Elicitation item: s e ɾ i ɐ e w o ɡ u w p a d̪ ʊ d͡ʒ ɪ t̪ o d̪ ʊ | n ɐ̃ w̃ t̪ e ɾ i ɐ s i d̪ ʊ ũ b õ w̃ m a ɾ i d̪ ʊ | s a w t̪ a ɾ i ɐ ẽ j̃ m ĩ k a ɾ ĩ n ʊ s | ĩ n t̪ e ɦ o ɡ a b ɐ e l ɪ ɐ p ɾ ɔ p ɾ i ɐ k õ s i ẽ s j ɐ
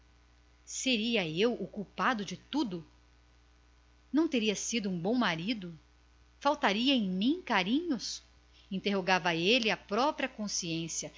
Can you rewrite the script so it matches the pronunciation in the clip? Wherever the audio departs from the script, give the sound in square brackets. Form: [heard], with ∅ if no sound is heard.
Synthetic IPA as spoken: s e ɾ i ɐ e w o [k] u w p a d̪ ʊ d͡ʒ ɪ t̪ [u] d̪ ʊ | n ɐ̃ w̃ t̪ e ɾ i ɐ s i d̪ ʊ ũ b õ w̃ m a ɾ i d̪ ʊ | [f] a w t̪ a ɾ i ɐ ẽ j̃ m ĩ k a ɾ ĩ [ɲ] ʊ s | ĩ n t̪ e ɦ o ɡ a [v] ɐ e l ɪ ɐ p ɾ ɔ p ɾ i ɐ k õ s i ẽ s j ɐ